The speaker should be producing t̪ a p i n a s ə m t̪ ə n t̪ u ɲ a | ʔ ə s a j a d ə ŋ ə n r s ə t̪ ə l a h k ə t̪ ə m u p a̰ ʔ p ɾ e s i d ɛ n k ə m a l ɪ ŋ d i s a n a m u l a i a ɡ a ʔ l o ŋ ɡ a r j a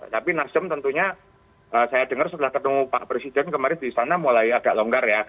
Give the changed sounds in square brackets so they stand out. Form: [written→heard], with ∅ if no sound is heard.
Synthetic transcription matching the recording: t̪ a p i n a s ə m t̪ ə n t̪ u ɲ a | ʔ ə s a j a d ə ŋ ə [n→∅] r s ə t̪ ə l a h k ə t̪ ə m u p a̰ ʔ p ɾ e s i d ɛ n k ə m a [l→ɾ] ɪ [ŋ→n] d i s a n a m u l a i a ɡ a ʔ l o ŋ ɡ a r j a